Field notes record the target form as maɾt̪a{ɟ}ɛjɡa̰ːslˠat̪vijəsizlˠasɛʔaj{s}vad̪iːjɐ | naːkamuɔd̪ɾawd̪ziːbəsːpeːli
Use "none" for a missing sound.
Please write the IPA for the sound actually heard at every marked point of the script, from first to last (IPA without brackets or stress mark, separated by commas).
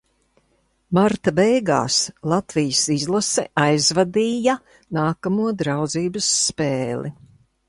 b, z